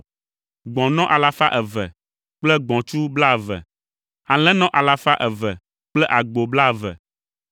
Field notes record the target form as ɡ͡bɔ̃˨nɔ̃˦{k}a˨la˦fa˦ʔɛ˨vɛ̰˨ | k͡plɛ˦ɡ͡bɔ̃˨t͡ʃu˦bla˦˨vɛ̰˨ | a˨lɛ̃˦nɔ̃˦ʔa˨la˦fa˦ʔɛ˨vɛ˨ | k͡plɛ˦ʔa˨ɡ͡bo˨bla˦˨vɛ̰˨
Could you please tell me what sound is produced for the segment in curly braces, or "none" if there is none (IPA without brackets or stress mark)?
ʔ